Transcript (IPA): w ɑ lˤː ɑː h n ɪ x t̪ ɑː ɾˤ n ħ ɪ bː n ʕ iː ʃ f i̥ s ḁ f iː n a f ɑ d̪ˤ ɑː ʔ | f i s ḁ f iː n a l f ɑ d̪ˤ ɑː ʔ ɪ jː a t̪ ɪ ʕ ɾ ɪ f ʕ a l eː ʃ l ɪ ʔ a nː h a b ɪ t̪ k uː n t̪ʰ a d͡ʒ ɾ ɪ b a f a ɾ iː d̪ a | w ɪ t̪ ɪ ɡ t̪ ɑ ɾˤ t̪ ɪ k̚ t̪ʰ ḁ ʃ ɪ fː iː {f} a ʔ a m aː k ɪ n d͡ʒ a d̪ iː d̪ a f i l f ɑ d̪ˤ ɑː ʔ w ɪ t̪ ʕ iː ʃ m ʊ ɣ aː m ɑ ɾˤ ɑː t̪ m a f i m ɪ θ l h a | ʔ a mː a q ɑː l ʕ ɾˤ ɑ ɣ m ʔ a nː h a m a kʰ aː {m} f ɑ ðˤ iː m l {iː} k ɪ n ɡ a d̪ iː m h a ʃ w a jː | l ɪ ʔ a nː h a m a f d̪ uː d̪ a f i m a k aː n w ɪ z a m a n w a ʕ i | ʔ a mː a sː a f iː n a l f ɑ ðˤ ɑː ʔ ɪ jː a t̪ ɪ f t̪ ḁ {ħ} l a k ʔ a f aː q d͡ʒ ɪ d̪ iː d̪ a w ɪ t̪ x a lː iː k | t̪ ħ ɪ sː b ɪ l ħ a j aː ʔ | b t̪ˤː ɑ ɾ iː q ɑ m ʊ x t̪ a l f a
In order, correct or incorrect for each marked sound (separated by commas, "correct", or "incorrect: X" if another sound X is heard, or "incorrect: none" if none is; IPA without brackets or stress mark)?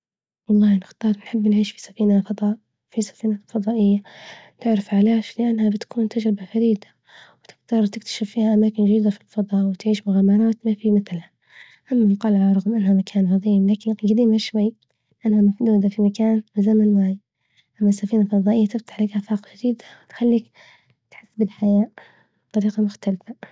incorrect: h, incorrect: n, incorrect: aː, correct